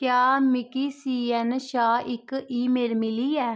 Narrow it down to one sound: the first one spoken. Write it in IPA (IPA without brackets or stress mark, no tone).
k